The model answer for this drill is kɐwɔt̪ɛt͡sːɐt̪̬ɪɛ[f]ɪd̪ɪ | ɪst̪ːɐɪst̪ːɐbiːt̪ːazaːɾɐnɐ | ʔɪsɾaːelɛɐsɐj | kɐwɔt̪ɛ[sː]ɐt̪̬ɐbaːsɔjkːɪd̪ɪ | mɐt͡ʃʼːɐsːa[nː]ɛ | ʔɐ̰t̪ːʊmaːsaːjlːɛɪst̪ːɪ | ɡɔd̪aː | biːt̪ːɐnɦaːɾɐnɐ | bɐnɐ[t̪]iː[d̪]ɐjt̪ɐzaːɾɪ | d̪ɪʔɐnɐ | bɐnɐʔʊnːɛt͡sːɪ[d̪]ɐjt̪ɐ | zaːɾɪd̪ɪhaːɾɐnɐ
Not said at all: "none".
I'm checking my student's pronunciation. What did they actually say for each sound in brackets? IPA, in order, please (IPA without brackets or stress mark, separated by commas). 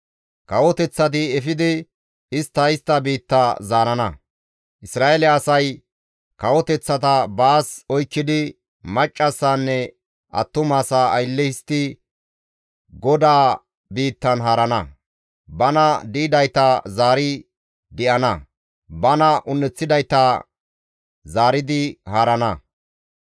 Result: f, t͡sː, nː, d̪, d̪, d̪